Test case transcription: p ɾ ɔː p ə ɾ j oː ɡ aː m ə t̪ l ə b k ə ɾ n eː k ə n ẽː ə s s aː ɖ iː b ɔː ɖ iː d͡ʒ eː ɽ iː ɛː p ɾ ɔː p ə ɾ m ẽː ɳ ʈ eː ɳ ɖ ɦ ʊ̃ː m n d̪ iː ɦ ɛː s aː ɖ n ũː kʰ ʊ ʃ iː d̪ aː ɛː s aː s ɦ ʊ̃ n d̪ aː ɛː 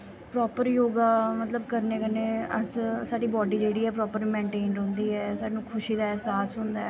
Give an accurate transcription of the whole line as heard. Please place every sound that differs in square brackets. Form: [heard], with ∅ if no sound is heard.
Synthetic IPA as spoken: p ɾ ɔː p ə ɾ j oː ɡ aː m ə t̪ l ə b k ə ɾ n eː k ə n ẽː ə s s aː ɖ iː b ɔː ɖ iː d͡ʒ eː ɽ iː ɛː p ɾ ɔː p ə ɾ m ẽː ɳ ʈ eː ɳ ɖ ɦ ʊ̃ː [∅] n d̪ iː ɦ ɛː s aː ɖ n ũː kʰ ʊ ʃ iː d̪ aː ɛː s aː s ɦ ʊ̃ n d̪ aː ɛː